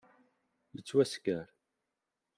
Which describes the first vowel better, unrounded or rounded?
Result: unrounded